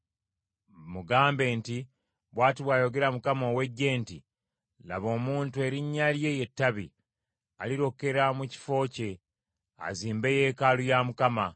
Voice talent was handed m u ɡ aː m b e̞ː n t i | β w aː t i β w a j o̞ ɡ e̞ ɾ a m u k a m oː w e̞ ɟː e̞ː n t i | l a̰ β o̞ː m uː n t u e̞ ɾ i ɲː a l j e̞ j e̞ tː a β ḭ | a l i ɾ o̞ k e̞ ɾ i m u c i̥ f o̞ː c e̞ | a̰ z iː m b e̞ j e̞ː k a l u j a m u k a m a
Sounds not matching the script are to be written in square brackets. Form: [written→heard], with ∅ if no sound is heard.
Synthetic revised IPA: m u ɡ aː m b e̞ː n t i | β w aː t i β w a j o̞ ɡ e̞ ɾ a m u k a m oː w e̞ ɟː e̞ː n t i | l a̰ β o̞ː m uː n t u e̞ ɾ i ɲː a l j e̞ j e̞ tː a β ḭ | a l i ɾ o̞ k e̞ ɾ [i→a] m u c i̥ f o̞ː c e̞ | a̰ z iː m b e̞ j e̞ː k a l u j a m u k a m a